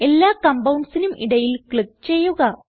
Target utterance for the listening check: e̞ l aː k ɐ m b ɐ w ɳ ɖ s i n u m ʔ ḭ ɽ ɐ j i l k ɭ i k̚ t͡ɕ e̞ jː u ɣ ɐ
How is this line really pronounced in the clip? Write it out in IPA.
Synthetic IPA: e̞ lː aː k ɐ m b ɐ w ɳ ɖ s i n u m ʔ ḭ ɽ ɐ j i l k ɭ i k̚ t͡ɕ e̞ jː u ɣ ɐ